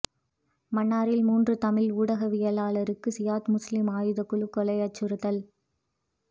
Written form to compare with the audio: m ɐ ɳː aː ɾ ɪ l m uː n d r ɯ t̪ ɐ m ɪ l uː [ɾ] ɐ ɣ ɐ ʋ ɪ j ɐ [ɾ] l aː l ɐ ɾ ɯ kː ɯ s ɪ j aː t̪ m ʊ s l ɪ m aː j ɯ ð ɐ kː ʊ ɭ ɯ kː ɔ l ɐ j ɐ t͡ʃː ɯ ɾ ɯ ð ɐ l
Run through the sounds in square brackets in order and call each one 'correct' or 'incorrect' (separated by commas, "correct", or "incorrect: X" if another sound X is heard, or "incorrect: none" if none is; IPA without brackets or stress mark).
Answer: incorrect: ɽ, incorrect: none